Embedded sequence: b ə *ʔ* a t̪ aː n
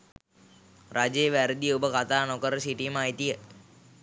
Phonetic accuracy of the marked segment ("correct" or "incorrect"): incorrect